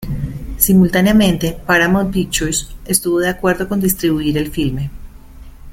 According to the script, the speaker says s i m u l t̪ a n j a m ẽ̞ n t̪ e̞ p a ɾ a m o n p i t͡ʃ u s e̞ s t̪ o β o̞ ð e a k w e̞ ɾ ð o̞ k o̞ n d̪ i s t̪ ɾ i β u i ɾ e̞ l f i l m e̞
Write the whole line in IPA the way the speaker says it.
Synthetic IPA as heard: s i m u l t̪ a n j a m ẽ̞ n t̪ e̞ p a ɾ a m o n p i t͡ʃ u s e̞ s t̪ u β o̞ ð e a k w e̞ ɾ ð o̞ k o̞ n d̪ i s t̪ ɾ i β u i ɾ e̞ l f i l m e̞